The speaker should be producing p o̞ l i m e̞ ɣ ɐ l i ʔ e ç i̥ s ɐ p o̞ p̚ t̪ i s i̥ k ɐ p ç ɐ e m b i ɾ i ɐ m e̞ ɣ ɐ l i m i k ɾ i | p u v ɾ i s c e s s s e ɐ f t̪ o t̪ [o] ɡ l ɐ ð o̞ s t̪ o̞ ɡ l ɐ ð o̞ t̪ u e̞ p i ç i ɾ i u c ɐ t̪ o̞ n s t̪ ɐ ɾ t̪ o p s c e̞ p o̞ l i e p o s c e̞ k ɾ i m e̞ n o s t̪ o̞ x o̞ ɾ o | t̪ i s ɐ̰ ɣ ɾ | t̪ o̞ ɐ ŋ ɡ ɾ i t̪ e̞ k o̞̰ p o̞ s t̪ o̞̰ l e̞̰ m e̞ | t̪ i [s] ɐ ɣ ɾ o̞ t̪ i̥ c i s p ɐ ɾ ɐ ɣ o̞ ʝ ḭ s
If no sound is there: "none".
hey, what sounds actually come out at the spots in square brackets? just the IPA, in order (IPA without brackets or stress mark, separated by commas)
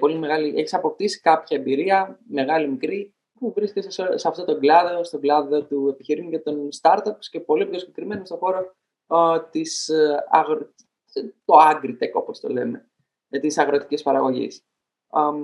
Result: o, s